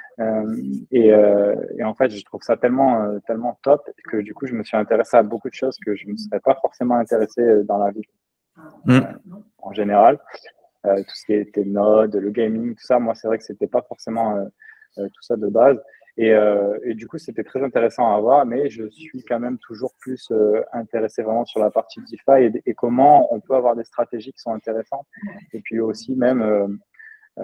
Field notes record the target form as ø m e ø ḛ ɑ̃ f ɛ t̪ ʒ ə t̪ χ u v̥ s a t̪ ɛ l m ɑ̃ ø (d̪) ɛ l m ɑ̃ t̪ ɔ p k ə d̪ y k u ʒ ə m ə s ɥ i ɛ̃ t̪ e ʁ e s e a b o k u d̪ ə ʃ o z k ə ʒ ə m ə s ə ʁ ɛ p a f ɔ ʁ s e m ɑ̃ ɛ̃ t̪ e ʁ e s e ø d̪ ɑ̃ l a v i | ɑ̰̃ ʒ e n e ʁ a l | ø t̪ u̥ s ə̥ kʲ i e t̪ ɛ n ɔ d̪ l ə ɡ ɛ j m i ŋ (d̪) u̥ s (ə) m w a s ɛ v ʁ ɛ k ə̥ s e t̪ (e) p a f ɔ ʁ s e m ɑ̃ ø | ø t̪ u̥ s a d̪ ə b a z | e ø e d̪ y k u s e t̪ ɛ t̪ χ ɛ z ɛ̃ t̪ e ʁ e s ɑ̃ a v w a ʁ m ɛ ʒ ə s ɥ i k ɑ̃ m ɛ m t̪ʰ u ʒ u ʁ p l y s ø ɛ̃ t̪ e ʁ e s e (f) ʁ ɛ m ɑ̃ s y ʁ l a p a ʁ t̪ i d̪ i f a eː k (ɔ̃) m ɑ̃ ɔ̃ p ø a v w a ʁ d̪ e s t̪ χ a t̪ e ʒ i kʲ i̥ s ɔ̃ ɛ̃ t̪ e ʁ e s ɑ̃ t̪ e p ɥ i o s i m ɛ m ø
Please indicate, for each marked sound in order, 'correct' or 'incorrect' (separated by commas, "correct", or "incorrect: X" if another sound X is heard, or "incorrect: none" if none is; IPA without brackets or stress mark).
incorrect: t̪, incorrect: t̪, incorrect: a, incorrect: ɛ, incorrect: v, incorrect: ɔ